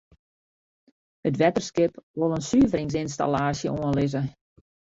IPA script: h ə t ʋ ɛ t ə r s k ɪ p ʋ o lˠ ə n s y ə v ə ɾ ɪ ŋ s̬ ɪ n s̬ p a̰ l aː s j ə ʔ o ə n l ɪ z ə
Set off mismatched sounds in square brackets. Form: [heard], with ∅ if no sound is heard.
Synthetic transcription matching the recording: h ə t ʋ ɛ t ə r s k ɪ p ʋ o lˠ ə n s y ə v ə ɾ ɪ ŋ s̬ ɪ n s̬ [t] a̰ l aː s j ə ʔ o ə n l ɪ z ə